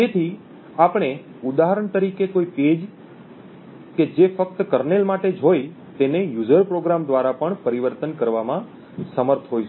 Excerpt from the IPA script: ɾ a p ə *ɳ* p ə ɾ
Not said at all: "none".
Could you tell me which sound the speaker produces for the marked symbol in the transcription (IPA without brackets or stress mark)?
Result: ɳ